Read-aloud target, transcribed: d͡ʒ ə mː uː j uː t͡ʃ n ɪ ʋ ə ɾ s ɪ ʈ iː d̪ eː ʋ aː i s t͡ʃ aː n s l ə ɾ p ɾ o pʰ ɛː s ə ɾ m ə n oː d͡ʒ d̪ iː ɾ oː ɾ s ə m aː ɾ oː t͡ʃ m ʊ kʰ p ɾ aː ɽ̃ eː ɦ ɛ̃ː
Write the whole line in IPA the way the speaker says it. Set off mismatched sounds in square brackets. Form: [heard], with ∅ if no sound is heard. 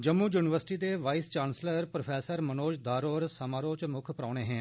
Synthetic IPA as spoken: d͡ʒ ə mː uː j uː [∅] n ɪ ʋ ə ɾ s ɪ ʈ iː d̪ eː ʋ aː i s t͡ʃ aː n s l ə ɾ p ɾ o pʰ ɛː s ə ɾ m ə n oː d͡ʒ d̪ [aː] ɾ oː ɾ s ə m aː ɾ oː t͡ʃ m ʊ kʰ p ɾ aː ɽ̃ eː ɦ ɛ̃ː